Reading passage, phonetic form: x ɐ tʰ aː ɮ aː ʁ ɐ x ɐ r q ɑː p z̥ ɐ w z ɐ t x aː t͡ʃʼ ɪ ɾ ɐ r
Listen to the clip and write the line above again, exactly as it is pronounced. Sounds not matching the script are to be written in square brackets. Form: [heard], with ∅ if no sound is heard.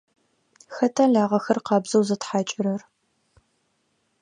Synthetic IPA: x ɐ tʰ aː ɮ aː ʁ ɐ x ɐ r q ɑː [b] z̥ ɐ w z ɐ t [ħ] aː t͡ʃʼ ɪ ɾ ɐ r